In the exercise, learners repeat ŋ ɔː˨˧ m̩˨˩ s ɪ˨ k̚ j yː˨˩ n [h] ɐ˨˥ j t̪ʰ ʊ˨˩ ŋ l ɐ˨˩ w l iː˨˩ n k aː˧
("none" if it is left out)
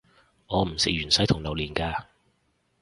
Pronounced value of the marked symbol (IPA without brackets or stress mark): s